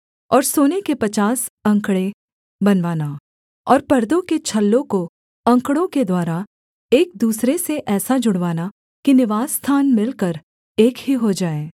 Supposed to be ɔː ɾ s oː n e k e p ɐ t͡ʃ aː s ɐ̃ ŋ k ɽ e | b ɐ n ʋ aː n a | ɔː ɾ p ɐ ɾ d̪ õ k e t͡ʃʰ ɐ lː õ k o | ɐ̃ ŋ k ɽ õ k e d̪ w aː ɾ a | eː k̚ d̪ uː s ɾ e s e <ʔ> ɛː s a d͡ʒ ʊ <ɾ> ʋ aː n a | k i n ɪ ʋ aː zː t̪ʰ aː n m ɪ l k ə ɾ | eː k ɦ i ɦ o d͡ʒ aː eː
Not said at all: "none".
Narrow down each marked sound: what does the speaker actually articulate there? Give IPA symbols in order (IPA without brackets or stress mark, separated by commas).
ʔ, ɽ